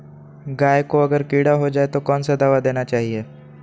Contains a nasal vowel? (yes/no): no